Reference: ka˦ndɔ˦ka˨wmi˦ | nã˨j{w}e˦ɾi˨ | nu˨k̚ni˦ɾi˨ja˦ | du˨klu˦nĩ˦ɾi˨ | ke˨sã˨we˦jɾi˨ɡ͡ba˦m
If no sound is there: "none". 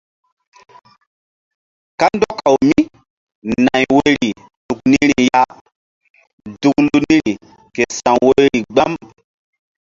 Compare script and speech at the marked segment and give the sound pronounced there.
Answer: w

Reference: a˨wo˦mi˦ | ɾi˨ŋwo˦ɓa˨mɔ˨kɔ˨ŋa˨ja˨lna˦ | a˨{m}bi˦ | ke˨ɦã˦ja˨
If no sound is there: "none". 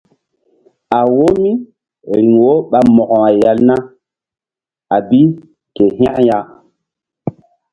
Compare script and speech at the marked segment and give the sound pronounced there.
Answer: none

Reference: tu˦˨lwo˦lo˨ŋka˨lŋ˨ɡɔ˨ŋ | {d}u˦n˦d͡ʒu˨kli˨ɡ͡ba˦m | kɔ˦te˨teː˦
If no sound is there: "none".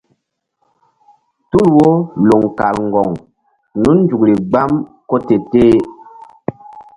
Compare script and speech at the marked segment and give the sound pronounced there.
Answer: n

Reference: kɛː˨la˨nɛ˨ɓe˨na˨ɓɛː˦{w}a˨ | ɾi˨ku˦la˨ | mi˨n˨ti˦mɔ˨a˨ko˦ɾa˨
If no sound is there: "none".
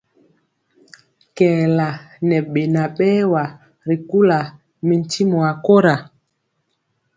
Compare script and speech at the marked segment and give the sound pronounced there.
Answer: w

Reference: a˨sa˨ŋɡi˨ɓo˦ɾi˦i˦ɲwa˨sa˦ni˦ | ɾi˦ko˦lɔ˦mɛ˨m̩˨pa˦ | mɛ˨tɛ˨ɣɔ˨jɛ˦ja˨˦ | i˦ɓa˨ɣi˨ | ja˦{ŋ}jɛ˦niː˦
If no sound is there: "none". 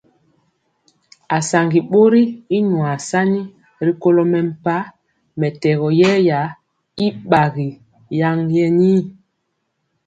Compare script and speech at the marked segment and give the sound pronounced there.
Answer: ŋ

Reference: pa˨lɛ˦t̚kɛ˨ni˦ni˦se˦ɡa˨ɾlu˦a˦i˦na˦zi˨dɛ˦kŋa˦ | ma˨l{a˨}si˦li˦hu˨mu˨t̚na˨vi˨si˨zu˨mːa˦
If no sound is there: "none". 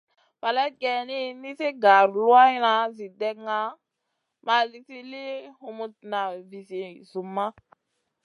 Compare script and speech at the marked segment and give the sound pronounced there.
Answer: i˨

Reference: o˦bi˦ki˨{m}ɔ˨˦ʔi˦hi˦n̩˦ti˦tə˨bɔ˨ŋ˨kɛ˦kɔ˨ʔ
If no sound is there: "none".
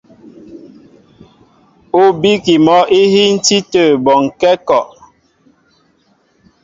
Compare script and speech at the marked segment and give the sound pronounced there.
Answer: m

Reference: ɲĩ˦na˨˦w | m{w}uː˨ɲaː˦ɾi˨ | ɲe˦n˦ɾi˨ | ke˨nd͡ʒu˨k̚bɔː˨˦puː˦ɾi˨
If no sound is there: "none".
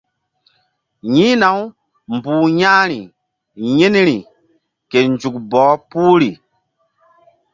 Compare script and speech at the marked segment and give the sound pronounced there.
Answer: b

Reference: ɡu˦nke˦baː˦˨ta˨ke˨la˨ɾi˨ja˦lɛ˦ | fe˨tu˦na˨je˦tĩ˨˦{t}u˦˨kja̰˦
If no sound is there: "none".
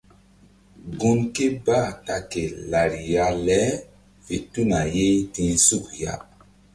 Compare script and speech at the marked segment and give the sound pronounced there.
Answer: s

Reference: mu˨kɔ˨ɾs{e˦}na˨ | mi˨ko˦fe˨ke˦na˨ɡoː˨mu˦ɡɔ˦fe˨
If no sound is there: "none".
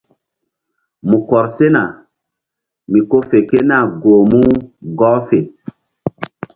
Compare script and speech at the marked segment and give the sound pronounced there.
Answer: e˦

